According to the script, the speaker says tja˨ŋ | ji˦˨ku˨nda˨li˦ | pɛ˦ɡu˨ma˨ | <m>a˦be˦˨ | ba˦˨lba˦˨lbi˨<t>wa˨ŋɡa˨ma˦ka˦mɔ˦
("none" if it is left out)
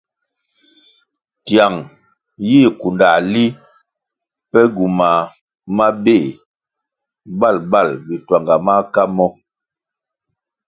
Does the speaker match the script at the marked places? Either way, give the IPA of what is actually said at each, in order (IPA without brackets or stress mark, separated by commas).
m, t